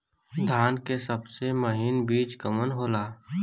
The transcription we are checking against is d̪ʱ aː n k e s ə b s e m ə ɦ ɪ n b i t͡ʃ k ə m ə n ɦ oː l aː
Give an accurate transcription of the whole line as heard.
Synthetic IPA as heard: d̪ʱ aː n k e s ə b s e m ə ɦ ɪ n b iː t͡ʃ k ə m ə n ɦ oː l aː